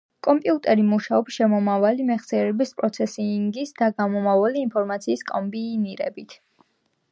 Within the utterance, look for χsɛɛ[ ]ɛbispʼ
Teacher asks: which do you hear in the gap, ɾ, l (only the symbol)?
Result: ɾ